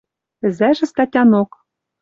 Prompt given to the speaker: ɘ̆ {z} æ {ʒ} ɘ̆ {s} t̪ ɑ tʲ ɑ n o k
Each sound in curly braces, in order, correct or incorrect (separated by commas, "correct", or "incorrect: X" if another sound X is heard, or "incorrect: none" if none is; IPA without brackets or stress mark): correct, correct, correct